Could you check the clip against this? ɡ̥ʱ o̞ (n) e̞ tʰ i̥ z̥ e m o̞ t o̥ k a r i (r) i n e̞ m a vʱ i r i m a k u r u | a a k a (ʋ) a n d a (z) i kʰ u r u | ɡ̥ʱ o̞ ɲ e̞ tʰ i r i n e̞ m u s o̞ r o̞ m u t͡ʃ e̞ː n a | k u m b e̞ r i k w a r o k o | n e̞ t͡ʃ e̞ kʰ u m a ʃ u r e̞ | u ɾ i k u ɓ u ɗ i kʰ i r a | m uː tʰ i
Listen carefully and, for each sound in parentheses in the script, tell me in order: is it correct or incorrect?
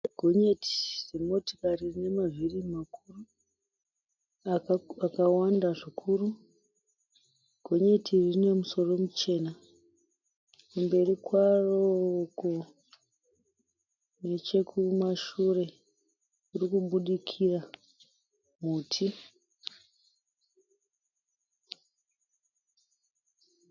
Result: incorrect, correct, incorrect, incorrect

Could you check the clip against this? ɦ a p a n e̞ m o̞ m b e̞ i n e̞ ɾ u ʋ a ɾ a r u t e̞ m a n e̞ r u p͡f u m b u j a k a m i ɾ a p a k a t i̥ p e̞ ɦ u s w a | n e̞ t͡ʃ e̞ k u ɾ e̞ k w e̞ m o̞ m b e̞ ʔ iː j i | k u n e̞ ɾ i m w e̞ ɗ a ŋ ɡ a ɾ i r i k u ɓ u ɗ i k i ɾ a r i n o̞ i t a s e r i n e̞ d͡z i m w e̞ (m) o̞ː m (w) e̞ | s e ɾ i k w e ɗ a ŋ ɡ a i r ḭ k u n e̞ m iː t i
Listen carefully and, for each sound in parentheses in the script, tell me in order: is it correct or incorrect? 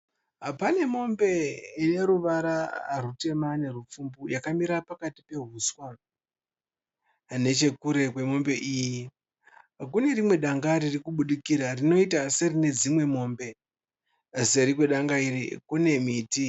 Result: correct, incorrect

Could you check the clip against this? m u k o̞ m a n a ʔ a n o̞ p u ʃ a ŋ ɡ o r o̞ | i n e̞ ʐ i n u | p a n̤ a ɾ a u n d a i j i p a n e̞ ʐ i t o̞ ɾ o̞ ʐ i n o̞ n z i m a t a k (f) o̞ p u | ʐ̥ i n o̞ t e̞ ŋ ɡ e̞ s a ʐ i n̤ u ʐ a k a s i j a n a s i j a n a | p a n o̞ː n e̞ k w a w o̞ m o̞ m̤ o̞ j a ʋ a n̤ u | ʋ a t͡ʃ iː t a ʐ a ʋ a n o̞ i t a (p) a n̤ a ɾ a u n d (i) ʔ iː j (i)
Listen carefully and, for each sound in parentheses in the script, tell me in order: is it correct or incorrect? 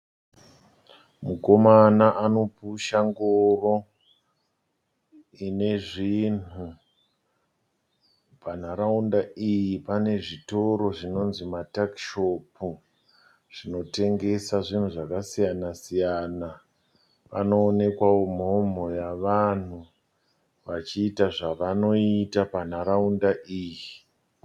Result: incorrect, correct, incorrect, correct

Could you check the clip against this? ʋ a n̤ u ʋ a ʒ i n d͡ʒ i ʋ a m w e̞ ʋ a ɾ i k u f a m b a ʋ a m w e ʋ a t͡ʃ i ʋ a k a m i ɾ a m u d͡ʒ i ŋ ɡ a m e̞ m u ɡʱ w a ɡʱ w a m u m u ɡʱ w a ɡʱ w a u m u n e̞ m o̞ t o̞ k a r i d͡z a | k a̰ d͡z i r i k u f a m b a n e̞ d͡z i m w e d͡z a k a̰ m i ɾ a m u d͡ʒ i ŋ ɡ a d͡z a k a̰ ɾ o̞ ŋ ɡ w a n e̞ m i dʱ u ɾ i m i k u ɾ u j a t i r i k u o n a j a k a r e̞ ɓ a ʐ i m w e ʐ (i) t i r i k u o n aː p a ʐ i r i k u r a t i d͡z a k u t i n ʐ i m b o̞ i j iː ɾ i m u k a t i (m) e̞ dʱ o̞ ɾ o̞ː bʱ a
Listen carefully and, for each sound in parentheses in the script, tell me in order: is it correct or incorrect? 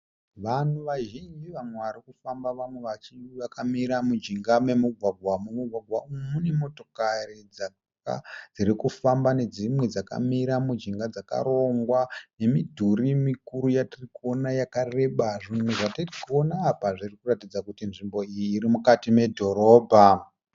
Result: incorrect, correct

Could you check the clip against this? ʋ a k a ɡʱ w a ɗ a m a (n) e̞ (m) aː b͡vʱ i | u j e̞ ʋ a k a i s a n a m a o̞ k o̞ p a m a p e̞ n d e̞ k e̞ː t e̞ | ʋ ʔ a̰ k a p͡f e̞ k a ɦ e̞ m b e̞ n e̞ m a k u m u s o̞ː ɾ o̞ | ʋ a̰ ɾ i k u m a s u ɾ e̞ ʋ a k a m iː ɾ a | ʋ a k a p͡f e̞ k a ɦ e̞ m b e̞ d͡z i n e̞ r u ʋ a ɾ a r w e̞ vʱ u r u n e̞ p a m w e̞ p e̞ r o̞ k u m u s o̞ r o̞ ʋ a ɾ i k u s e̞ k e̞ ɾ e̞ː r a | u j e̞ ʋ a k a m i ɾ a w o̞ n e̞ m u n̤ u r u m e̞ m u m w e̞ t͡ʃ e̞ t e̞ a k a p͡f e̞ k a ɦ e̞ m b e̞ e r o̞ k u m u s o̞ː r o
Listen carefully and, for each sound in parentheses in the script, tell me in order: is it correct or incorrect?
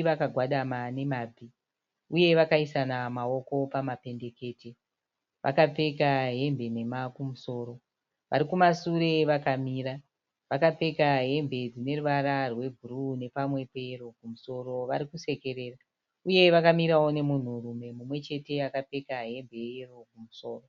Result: correct, correct

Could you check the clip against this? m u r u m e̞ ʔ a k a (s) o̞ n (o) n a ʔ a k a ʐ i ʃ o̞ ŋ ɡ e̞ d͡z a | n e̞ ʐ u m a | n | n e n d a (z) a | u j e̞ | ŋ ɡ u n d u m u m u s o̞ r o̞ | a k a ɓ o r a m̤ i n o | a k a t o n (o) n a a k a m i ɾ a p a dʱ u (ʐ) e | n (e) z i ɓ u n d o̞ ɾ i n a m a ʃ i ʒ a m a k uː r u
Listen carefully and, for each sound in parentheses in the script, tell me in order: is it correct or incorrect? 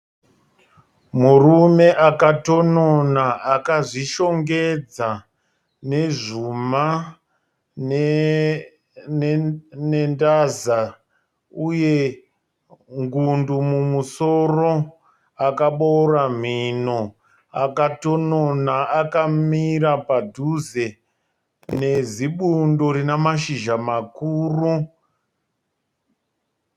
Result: incorrect, correct, correct, correct, incorrect, correct

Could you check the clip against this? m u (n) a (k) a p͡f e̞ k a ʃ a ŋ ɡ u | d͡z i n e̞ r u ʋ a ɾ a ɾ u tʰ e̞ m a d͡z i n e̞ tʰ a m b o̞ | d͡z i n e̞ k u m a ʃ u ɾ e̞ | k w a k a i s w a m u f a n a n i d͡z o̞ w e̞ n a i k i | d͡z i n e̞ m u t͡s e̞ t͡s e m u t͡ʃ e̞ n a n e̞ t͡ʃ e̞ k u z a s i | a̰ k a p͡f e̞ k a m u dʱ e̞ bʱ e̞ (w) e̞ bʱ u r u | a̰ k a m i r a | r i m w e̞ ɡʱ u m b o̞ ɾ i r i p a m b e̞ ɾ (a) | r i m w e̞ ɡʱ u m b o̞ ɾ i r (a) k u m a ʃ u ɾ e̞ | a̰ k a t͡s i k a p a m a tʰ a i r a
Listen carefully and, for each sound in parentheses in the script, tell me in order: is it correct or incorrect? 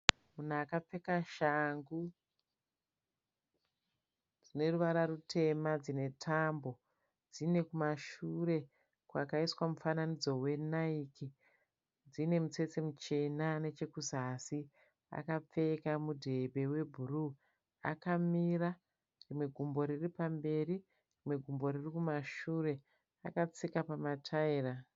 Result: correct, correct, correct, incorrect, incorrect

